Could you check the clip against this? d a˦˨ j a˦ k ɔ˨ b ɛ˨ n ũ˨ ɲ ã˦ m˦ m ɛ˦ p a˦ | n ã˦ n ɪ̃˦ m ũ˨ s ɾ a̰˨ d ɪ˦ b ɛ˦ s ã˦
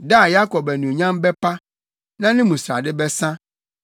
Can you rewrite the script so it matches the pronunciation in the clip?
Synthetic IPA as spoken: d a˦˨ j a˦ k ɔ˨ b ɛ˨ n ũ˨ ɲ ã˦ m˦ b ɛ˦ p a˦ | n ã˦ n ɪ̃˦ m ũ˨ s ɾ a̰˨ d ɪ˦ b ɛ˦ s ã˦